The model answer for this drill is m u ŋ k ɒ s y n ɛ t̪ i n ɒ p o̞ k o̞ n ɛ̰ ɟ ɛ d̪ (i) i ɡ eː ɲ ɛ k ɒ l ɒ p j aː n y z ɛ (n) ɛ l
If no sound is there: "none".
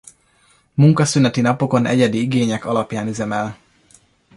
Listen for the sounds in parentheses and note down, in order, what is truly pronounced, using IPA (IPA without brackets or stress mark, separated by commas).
i, m